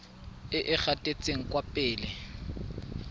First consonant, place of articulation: glottal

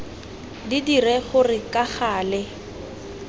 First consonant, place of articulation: alveolar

